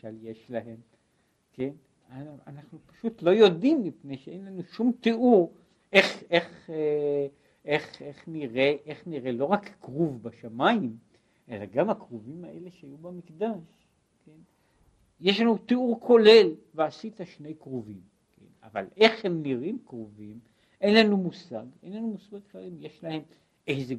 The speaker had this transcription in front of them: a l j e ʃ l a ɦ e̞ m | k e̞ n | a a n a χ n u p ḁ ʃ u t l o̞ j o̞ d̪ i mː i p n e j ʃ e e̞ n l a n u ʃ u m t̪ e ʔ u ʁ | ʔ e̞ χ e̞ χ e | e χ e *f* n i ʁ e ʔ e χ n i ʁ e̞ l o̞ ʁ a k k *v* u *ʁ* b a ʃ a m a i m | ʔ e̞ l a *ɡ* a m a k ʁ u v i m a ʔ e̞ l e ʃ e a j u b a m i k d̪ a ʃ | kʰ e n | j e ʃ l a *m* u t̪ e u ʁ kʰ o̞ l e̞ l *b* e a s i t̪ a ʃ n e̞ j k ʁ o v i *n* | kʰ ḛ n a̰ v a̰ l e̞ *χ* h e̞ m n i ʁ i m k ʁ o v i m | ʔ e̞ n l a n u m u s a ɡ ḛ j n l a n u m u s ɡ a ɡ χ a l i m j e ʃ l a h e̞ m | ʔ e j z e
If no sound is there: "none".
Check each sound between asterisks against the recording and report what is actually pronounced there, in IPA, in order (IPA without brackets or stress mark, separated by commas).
χ, ʁ, v, ɡ, n, v, m, χ